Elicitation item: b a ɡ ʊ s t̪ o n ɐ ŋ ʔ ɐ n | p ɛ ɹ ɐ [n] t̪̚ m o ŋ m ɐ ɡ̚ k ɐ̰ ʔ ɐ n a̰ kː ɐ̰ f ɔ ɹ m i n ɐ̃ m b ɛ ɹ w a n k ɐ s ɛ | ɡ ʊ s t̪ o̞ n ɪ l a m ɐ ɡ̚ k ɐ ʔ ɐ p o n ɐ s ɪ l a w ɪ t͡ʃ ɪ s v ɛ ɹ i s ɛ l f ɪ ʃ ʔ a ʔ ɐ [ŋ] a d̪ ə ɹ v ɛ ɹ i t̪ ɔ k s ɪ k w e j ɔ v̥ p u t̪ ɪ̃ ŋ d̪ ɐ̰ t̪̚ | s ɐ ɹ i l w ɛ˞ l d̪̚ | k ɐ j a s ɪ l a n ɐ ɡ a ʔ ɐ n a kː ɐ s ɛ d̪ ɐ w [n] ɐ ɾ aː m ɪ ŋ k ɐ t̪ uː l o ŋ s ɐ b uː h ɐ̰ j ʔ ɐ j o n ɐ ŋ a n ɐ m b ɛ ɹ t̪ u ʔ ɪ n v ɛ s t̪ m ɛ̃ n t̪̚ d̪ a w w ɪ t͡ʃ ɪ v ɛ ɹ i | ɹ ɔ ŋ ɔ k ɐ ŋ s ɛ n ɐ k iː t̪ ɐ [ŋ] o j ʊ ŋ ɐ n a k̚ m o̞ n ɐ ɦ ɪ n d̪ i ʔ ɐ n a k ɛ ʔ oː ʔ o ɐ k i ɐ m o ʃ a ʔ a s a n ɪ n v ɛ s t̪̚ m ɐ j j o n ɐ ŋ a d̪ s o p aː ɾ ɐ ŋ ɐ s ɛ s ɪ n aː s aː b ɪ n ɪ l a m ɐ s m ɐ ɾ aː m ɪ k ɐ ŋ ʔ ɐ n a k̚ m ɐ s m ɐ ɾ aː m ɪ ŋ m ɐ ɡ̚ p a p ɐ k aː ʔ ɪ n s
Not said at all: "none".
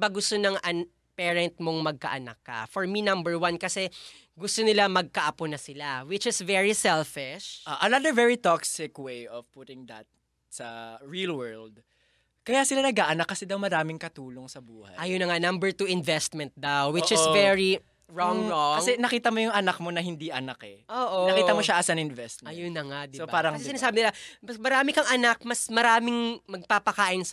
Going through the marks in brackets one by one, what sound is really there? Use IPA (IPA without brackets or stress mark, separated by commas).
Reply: n, n, m, m